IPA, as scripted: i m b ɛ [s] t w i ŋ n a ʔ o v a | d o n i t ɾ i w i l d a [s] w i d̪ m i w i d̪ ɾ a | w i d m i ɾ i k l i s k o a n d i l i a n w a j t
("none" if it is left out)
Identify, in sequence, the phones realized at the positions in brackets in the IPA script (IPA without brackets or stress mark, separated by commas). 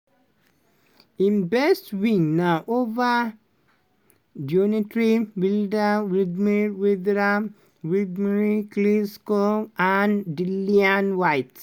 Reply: s, none